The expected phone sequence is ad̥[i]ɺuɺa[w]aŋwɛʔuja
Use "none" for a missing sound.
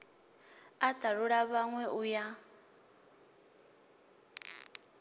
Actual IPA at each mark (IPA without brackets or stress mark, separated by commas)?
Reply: a, β